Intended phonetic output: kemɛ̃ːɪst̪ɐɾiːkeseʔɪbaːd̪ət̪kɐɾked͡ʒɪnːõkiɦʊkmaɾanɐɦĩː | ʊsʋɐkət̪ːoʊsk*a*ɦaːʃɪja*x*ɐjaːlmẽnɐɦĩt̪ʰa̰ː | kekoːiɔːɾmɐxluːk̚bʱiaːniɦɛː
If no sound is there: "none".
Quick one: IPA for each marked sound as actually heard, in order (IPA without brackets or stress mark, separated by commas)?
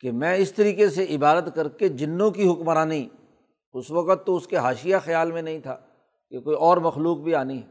e, x